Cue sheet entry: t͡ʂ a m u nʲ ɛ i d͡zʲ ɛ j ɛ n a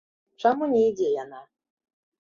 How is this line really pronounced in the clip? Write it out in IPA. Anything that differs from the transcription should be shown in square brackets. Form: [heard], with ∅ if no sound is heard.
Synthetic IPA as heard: t͡ʂ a m u nʲ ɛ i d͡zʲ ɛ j [a] n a